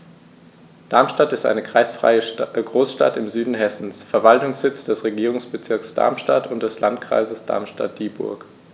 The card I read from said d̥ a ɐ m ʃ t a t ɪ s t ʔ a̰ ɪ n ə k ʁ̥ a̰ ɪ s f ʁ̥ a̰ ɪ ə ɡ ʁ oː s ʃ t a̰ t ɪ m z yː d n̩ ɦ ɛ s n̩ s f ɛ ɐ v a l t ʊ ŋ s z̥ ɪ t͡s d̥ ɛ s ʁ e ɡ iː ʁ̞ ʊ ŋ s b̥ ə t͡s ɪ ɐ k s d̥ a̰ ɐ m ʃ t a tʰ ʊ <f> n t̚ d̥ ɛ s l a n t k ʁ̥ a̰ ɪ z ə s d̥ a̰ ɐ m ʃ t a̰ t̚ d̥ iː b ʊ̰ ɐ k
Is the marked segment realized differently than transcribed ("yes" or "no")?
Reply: yes